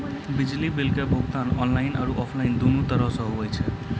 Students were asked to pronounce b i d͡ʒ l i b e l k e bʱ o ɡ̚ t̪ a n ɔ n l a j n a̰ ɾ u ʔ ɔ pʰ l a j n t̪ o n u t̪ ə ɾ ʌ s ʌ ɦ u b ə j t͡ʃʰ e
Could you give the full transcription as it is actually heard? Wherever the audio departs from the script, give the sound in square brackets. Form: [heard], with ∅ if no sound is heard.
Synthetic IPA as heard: b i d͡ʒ l i b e l k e bʱ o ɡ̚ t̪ a n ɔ n l a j n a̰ ɾ u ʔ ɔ pʰ l a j n [d̪] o n u t̪ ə ɾ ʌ s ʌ ɦ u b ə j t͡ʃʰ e